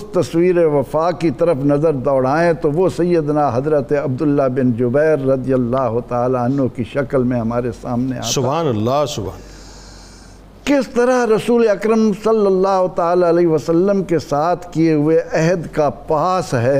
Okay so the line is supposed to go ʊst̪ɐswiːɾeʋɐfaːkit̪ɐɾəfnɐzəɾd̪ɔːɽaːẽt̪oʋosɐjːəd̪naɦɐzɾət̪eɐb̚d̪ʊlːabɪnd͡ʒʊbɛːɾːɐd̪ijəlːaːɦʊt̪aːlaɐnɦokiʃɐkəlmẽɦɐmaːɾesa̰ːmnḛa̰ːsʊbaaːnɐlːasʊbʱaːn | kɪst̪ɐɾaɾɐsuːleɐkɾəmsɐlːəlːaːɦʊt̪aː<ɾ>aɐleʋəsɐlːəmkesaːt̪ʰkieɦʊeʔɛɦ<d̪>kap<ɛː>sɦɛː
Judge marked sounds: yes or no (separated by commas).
no, yes, no